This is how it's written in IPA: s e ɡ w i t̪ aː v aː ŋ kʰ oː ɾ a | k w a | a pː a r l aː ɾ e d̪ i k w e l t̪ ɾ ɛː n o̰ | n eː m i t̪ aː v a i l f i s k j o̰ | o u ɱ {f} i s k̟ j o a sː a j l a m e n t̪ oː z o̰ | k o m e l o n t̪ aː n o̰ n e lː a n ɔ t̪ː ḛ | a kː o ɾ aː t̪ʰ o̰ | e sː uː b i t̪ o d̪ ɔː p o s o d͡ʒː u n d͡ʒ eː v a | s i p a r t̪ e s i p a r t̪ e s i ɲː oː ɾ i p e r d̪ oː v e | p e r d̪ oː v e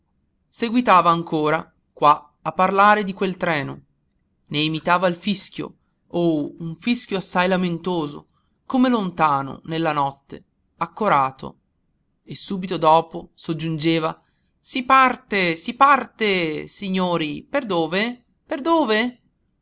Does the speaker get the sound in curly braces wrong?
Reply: no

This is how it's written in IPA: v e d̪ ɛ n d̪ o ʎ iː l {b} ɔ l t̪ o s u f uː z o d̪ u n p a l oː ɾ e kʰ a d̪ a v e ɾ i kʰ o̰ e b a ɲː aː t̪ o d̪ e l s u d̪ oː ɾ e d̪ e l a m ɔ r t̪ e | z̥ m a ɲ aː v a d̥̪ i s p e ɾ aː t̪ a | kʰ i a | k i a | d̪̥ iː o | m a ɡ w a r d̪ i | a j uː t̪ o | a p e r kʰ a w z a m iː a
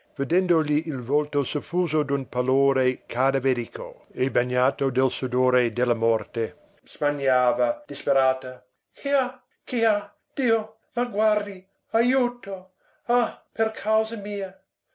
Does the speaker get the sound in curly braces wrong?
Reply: yes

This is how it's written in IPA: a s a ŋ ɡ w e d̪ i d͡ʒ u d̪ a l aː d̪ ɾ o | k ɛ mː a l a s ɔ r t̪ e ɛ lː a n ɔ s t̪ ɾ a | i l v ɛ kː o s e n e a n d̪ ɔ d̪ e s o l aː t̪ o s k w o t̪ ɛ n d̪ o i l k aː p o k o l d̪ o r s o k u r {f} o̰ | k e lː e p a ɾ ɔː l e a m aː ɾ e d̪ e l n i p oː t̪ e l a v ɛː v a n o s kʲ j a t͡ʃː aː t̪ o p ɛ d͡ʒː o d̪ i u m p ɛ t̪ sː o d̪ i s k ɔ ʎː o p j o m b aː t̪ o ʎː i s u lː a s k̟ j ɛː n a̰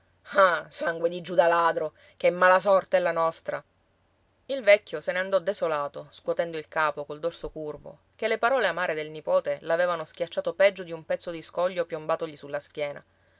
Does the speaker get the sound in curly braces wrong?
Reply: yes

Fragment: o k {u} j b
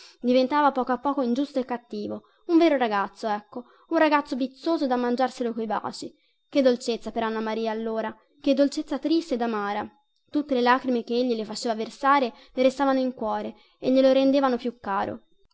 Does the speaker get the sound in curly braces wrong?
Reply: yes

